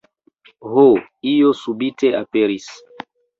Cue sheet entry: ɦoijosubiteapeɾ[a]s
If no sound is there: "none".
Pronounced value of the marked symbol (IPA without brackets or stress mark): i